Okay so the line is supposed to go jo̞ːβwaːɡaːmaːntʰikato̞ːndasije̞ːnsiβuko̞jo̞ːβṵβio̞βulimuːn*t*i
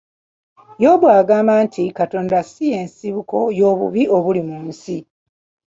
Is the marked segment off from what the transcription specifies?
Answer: yes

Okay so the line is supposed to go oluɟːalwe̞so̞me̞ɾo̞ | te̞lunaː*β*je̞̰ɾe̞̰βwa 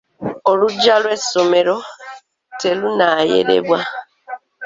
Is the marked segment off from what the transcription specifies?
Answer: yes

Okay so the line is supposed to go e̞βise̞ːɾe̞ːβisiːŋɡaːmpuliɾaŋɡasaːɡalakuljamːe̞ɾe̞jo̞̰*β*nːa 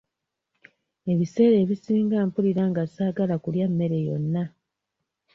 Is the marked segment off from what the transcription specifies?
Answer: yes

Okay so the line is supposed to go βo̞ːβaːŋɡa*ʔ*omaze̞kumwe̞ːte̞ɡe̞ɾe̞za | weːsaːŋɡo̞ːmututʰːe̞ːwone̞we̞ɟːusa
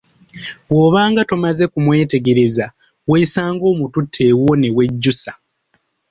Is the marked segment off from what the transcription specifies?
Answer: yes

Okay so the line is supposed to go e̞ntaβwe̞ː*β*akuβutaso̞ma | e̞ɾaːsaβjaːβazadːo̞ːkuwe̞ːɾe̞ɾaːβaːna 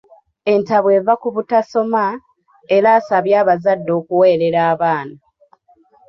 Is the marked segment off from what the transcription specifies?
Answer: yes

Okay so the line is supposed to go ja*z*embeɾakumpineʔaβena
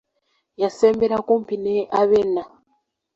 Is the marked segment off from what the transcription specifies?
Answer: yes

